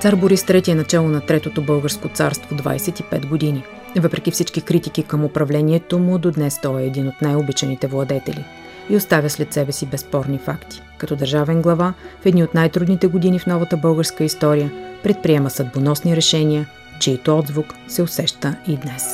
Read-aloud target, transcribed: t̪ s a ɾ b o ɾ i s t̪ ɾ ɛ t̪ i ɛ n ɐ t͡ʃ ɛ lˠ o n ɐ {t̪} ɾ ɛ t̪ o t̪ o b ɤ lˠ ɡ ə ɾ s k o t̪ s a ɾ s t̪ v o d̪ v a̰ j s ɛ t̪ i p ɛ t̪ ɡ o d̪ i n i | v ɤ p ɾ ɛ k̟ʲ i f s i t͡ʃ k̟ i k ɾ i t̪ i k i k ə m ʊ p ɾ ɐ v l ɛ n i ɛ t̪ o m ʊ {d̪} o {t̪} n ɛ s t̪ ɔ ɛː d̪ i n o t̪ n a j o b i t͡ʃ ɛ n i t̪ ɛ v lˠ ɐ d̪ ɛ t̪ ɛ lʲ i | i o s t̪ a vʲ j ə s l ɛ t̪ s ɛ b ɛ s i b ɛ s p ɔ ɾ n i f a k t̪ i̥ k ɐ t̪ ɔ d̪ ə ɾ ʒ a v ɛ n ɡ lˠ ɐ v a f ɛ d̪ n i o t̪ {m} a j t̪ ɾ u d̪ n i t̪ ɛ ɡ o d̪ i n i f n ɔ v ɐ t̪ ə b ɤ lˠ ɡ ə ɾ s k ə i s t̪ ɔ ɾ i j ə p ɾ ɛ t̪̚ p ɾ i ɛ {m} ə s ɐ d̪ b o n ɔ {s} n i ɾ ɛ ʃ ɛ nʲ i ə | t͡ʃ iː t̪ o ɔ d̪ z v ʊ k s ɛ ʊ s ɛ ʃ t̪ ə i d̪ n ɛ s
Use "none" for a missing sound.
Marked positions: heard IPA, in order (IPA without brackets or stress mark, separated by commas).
t̪, d̪, d̪, n, m, s